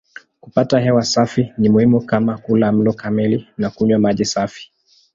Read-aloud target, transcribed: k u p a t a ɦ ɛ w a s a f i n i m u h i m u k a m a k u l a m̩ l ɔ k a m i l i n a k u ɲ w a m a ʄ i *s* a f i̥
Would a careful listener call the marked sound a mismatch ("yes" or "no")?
no